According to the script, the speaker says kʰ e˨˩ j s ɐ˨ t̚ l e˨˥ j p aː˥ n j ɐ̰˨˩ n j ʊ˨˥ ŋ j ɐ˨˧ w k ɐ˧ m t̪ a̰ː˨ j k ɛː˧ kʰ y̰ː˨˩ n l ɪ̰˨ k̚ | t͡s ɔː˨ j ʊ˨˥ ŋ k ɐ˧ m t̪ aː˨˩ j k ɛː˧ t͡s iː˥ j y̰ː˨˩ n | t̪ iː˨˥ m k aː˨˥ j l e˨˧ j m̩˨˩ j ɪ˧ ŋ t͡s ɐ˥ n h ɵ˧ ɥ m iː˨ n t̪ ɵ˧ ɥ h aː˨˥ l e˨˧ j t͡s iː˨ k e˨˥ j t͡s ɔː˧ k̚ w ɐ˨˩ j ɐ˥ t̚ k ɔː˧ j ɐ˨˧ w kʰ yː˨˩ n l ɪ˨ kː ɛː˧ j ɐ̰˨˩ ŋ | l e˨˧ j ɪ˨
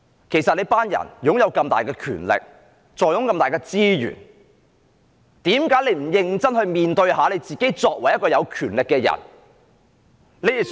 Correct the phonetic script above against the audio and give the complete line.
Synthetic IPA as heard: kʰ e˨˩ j s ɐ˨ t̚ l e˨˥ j p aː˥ n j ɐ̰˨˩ n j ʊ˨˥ ŋ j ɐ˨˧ w k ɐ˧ m t̪ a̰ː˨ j k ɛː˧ kʰ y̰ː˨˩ n l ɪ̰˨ k̚ | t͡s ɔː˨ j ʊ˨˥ ŋ k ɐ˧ m t̪ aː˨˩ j k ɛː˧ t͡s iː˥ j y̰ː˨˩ n | t̪ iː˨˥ m k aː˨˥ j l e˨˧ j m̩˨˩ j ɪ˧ ŋ t͡s ɐ˥ n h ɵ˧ ɥ m iː˨ n t̪ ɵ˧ ɥ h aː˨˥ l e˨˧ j t͡s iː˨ k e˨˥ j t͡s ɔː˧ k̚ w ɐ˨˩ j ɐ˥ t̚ k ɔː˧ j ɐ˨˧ w kʰ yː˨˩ n l ɪ˨ kː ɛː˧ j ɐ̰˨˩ n | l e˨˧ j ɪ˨